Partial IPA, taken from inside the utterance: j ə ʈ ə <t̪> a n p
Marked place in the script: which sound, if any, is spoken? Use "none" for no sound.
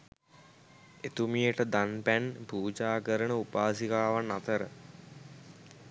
d̪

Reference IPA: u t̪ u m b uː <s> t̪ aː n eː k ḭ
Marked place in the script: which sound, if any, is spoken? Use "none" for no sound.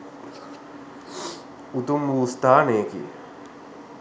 s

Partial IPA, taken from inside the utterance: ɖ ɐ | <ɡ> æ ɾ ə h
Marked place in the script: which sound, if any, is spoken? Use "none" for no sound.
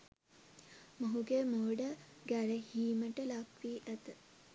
ɡ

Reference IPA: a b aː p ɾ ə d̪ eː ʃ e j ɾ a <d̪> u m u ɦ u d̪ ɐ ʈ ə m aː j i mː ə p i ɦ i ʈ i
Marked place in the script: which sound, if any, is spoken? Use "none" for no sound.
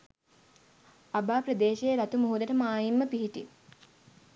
t̪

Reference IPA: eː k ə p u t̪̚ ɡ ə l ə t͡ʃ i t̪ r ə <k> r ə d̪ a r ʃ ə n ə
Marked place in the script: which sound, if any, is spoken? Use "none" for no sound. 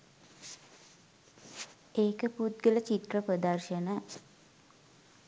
p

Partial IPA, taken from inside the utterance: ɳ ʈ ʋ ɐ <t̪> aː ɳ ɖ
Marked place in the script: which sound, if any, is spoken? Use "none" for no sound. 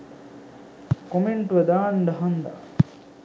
d̪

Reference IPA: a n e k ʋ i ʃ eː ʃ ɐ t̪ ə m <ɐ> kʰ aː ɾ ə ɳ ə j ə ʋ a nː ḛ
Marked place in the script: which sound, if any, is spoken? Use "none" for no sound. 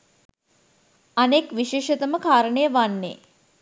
ə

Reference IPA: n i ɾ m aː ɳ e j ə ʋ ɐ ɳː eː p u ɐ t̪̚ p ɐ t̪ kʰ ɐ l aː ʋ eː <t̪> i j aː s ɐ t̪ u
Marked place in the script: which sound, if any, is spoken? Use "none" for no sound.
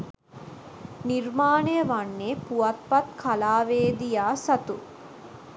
d̪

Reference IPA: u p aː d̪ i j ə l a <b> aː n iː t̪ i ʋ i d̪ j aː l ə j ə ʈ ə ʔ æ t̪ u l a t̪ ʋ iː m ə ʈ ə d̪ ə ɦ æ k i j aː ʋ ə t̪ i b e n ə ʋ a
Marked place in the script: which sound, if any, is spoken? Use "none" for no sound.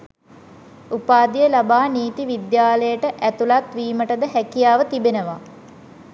b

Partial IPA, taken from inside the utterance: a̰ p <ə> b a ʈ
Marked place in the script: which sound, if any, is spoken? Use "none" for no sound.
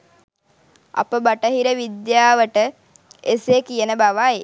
ə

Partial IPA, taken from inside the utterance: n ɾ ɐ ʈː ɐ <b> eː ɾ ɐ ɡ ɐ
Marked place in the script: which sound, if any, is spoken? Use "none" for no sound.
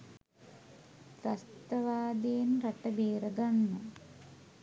b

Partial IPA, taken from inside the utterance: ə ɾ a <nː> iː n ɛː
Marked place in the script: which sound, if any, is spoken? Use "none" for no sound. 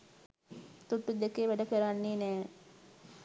nː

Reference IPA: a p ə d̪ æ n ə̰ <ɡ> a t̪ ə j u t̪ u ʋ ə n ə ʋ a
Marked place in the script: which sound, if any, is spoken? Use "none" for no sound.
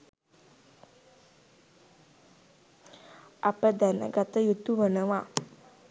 ɡ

